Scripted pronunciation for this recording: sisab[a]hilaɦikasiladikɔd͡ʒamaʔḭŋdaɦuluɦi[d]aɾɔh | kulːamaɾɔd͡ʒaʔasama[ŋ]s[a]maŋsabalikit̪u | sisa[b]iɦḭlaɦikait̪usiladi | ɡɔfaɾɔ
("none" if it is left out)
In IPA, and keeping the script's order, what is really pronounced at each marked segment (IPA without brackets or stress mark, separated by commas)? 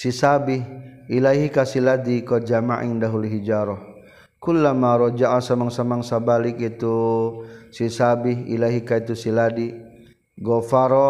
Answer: i, d͡ʒ, ŋ, a, b